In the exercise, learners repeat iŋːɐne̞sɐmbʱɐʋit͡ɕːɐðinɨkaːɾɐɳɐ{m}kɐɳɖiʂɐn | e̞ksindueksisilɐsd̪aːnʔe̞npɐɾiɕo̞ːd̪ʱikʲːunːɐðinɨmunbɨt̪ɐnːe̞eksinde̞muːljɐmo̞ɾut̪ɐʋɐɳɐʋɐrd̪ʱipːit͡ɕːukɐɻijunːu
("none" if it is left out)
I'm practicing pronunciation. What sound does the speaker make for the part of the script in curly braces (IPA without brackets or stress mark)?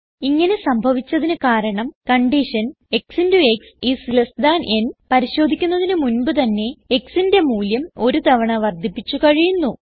m